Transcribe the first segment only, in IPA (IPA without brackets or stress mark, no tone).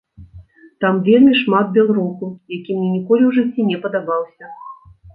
t̪